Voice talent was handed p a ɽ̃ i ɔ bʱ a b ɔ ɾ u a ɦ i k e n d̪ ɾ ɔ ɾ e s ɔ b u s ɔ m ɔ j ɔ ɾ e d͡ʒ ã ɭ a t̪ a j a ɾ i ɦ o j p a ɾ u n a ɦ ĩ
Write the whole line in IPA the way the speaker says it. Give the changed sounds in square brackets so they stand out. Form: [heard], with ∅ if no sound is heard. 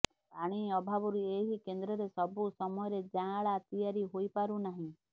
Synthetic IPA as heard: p a ɽ̃ i ɔ bʱ a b ɔ ɾ u [e] ɦ i k e n d̪ ɾ ɔ ɾ e s ɔ b u s ɔ m ɔ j ɔ ɾ e d͡ʒ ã ɭ a t̪ [i] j a ɾ i ɦ o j p a ɾ u n a ɦ ĩ